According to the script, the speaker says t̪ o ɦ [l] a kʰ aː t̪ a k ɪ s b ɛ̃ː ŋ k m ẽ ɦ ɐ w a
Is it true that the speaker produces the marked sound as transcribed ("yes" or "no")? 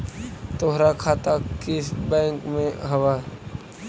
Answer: no